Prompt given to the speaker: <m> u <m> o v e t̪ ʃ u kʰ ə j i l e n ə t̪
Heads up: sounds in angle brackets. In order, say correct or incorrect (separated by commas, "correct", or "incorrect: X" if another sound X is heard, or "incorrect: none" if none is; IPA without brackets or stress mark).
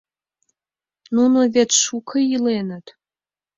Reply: incorrect: n, incorrect: n